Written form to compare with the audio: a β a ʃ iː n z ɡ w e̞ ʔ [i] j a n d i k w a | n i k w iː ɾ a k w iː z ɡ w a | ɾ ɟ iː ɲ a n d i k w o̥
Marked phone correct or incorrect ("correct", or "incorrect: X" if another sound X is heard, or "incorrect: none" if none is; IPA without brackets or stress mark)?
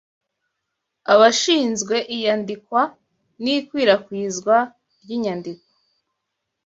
correct